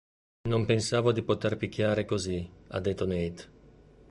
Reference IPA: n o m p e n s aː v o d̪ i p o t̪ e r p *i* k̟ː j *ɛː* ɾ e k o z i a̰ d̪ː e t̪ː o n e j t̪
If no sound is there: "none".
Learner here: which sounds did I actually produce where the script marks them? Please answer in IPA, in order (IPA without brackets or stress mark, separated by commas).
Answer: i, aː